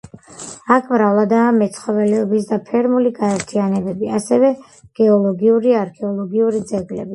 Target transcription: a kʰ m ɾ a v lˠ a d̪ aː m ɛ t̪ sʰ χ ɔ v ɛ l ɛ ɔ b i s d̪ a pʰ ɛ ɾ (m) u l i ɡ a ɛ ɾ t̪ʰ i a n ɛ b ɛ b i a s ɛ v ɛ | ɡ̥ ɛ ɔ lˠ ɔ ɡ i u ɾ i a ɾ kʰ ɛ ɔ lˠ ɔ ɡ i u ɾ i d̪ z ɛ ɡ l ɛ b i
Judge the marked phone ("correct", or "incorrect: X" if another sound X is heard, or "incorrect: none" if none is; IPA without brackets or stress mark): correct